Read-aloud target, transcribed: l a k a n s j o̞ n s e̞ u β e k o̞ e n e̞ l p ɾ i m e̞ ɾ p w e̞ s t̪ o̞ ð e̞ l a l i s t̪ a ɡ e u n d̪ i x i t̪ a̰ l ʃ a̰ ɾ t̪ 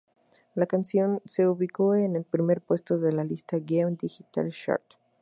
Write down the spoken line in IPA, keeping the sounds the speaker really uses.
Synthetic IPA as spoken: l a k a n s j o̞ n s e̞ u β i k o̞ e n e̞ l p ɾ i m e̞ ɾ p w e̞ s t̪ o̞ ð e̞ l a l i s t̪ a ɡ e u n d̪ i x i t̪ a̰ l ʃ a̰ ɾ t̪